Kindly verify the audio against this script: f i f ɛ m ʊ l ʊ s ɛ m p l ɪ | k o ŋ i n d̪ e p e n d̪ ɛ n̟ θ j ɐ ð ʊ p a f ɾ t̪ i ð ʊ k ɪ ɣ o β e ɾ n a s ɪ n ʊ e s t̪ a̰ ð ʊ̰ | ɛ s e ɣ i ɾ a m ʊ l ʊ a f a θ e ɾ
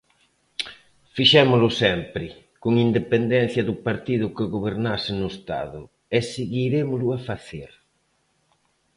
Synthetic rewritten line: f i ʃ ɛ m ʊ l ʊ s ɛ m p ɾ ɪ | k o ŋ i n d̪ e p e n d̪ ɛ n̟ θ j ɐ ð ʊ p a ɾ t̪ i ð ʊ k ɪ ɣ o β e ɾ n a s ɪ n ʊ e s t̪ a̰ ð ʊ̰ | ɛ s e ɣ i ɾ e m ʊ l ʊ a f a θ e ɾ